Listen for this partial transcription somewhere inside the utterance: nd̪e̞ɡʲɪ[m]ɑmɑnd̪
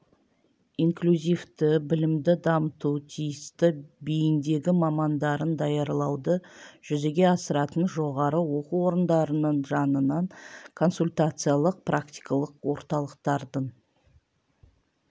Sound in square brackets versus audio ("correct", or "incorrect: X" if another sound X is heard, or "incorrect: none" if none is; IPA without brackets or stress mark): correct